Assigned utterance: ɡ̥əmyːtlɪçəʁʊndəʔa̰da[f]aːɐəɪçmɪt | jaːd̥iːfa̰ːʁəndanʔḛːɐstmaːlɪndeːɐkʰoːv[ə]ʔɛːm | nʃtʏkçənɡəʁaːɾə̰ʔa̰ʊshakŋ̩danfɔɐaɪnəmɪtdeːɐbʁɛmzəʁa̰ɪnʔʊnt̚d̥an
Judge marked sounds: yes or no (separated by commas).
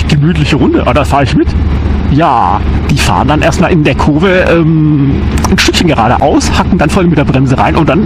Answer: yes, yes